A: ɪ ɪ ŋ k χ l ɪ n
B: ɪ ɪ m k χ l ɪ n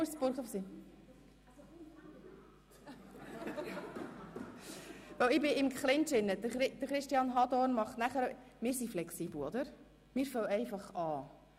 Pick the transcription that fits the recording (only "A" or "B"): B